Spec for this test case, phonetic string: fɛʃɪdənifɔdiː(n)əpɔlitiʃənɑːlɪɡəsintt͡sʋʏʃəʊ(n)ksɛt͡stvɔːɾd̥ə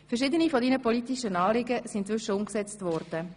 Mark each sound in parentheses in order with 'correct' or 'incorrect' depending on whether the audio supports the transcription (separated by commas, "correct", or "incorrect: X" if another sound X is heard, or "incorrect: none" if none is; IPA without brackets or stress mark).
correct, incorrect: m